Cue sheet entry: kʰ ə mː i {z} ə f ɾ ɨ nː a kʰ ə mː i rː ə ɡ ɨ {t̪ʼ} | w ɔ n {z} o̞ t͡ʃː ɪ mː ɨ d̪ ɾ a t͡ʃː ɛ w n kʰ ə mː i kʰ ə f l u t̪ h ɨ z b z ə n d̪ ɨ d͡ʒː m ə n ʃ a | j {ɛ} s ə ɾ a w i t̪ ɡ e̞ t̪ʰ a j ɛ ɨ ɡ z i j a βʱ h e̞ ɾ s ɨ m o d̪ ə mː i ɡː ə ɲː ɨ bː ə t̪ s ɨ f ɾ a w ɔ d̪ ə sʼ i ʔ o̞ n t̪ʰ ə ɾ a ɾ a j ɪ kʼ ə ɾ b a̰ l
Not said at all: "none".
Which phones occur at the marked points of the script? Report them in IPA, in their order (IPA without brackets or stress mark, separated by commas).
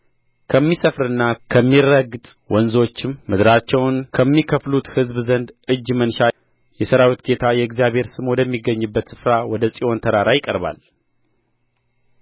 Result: s, t̪ʼ, z, ɛ